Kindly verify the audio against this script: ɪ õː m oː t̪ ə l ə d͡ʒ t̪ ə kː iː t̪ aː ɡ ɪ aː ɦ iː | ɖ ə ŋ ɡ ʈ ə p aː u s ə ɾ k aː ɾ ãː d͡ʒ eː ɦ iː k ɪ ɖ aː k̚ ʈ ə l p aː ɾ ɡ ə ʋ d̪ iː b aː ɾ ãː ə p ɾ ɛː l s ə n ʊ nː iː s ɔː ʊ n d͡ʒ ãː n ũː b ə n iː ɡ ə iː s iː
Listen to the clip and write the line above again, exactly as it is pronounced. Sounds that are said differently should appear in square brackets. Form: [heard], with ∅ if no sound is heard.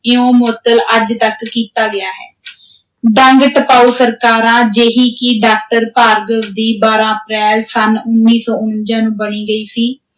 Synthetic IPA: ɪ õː m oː t̪ ə l ə d͡ʒ t̪ ə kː iː t̪ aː ɡ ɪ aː ɦ [ɛː] | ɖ ə ŋ ɡ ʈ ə p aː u s ə ɾ k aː ɾ ãː d͡ʒ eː ɦ iː k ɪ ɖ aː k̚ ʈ ə [ɾ] p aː ɾ ɡ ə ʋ d̪ iː b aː ɾ ãː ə p ɾ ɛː l s ə n ʊ nː iː s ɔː ʊ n d͡ʒ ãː n ũː b ə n iː ɡ ə iː s iː

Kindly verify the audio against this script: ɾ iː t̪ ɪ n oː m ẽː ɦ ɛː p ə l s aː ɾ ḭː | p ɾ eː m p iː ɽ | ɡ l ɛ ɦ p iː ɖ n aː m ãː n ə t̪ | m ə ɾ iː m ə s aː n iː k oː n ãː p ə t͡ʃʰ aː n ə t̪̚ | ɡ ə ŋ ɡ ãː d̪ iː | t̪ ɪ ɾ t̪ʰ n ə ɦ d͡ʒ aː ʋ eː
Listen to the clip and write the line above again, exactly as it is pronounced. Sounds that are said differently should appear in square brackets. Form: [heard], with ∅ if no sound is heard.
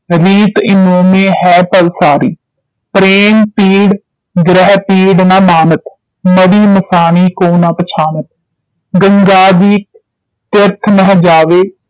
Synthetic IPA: ɾ iː t̪ ɪ n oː m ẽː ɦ ɛː p ə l s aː ɾ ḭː | p ɾ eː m p iː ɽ | ɡ [ɾ] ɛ ɦ p iː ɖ n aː m [aː] n ə t̪ | m ə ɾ iː m ə s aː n iː k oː n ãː p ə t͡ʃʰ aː n ə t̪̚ | ɡ ə ŋ ɡ [aː] d̪ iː | t̪ ɪ ɾ t̪ʰ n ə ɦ d͡ʒ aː ʋ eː

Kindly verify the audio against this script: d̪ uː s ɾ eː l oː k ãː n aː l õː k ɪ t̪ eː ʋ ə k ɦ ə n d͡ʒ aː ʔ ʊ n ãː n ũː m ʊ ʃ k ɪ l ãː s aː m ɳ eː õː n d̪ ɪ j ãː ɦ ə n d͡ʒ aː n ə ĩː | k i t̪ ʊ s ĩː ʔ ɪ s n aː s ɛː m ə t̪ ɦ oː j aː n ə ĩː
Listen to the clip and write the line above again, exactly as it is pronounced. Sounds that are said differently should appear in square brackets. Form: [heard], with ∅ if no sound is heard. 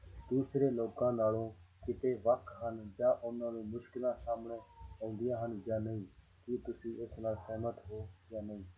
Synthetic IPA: d̪ uː s ɾ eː l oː k ãː n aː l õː k ɪ t̪ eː ʋ ə k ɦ ə n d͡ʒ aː ʔ ʊ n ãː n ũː m ʊ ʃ k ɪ l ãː s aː m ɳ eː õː n d̪ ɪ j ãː ɦ ə n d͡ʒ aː n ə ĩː | k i t̪ ʊ s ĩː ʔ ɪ s n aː s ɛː m ə t̪ ɦ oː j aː n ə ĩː

